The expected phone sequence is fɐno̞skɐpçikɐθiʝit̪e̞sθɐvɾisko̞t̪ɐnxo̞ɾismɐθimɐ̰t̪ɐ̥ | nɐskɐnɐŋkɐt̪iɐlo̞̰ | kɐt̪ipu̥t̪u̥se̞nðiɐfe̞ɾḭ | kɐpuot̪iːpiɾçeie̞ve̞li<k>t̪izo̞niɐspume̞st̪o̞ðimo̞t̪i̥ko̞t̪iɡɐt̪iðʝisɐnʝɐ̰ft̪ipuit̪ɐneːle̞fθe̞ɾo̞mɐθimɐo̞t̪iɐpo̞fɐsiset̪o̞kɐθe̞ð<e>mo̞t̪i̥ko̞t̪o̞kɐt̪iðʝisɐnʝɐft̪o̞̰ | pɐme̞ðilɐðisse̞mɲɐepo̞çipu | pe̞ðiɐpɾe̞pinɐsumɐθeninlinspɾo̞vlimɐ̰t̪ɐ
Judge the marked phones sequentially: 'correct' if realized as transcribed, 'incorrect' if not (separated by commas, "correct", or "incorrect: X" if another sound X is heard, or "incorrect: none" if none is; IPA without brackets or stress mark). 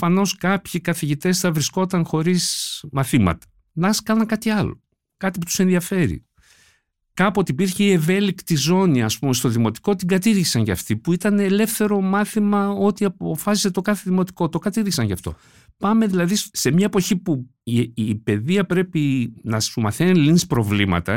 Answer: correct, incorrect: i